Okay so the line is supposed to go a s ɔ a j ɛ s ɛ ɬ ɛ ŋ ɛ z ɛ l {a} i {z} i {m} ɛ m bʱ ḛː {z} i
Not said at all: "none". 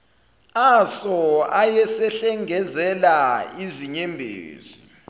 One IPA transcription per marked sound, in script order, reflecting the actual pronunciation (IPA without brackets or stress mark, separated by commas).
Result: a, z, ɲ, z